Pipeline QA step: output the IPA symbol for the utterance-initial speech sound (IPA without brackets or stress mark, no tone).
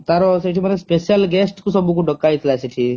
t̪